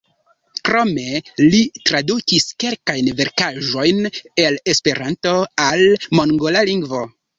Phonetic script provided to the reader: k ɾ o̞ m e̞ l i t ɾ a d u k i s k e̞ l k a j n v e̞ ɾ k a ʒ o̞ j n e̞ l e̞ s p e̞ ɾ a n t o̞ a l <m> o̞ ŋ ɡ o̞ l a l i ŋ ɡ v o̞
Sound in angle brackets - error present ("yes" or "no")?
no